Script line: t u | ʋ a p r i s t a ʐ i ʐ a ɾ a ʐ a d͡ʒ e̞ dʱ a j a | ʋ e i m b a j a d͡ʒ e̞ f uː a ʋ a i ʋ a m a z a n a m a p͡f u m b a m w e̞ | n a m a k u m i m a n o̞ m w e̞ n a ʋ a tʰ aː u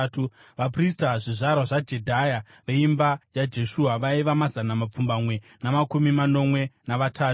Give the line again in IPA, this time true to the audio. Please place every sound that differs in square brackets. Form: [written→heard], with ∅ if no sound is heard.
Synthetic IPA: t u | ʋ a p r i s t a ʐ i ʐ a ɾ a ʐ a d͡ʒ e̞ dʱ a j a | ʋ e i m b a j a d͡ʒ e̞ [f→ʃ] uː a ʋ a i ʋ a m a z a n a m a p͡f u m b a m w e̞ | n a m a k u m i m a n o̞ m w e̞ n a ʋ a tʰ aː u